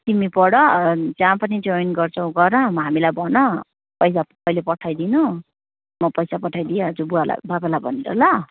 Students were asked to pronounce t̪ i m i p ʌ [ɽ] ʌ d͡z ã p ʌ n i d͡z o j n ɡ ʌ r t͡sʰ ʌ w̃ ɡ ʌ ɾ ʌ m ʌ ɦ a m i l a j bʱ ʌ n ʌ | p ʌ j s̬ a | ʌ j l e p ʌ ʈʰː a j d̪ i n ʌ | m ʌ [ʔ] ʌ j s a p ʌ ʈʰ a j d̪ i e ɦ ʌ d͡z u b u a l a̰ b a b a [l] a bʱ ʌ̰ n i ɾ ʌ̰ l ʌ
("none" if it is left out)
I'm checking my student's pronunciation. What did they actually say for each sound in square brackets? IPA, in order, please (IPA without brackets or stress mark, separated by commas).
ɽ, p, l